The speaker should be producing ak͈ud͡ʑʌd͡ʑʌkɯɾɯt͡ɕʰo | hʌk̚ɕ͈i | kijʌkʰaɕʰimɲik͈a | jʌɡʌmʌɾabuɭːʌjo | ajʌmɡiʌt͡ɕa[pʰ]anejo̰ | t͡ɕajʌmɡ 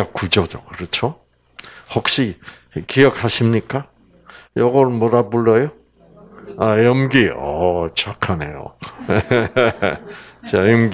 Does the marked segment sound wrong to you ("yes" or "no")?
yes